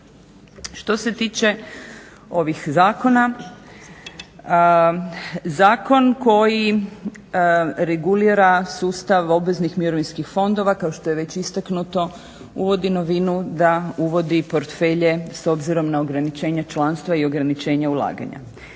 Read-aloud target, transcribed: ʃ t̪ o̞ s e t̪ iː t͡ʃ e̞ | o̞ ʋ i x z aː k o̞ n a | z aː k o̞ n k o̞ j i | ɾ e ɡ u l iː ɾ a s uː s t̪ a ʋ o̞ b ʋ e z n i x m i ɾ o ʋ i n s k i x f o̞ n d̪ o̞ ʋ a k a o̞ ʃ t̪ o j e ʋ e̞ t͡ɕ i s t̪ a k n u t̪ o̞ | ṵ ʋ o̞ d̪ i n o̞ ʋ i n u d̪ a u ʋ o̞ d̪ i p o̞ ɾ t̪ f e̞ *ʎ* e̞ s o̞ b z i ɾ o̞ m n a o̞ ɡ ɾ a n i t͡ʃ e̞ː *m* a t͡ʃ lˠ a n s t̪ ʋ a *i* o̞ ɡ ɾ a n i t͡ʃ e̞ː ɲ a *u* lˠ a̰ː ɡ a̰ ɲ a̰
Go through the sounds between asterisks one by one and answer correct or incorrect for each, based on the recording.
correct, incorrect, correct, correct

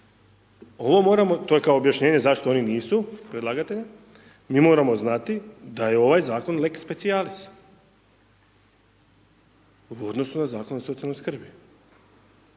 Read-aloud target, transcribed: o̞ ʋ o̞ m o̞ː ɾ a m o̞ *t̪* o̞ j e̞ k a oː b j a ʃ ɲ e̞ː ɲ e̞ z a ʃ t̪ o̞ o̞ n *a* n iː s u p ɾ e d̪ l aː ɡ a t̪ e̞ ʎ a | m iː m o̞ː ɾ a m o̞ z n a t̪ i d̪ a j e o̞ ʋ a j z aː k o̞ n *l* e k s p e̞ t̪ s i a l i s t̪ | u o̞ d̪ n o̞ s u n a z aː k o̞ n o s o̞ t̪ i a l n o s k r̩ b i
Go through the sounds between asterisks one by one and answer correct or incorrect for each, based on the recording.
correct, incorrect, correct

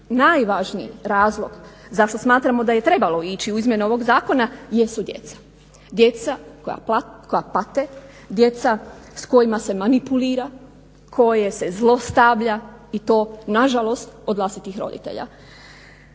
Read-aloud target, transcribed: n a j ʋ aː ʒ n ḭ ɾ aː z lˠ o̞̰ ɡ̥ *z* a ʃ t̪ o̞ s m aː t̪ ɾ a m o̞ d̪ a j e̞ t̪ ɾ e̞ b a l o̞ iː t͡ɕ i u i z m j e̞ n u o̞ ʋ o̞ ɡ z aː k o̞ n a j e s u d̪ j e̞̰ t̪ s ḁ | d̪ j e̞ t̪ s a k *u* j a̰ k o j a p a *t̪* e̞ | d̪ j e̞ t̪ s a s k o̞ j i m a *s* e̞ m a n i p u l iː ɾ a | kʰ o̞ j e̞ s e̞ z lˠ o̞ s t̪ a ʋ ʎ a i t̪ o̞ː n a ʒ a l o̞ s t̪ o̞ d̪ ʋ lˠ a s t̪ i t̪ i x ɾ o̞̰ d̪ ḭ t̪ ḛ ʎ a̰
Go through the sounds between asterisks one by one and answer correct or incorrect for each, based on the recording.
correct, incorrect, correct, correct

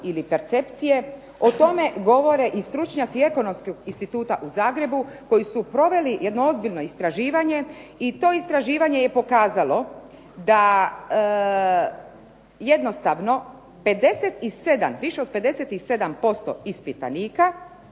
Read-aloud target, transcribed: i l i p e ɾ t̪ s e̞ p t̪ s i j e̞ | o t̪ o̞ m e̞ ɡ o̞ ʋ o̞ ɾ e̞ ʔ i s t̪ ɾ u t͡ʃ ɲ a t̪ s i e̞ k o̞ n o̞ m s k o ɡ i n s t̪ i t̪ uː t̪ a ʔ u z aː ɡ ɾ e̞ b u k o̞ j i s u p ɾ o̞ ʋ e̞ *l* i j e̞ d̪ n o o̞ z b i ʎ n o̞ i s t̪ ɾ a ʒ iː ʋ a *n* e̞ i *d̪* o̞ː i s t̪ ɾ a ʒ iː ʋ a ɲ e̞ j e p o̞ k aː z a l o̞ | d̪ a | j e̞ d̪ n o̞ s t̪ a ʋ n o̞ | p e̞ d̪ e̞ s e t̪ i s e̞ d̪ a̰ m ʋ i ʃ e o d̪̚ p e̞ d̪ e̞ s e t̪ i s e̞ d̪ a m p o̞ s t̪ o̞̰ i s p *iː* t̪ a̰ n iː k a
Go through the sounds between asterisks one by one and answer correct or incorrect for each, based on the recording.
correct, incorrect, incorrect, incorrect

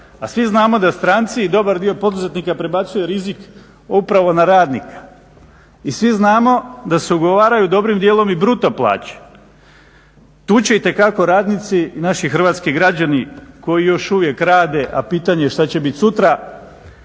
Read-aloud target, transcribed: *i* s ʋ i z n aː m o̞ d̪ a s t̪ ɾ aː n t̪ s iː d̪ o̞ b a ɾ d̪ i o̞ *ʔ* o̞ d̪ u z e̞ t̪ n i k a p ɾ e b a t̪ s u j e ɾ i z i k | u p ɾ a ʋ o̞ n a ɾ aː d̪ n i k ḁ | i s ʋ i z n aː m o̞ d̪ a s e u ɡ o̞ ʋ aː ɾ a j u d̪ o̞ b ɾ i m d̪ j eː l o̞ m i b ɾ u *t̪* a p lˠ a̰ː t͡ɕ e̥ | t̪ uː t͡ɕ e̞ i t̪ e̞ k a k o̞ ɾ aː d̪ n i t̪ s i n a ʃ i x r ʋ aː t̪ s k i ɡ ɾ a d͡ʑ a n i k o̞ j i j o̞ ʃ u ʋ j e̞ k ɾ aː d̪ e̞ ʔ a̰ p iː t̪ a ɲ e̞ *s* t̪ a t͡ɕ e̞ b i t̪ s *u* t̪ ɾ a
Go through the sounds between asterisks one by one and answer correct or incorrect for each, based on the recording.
incorrect, incorrect, correct, incorrect, correct

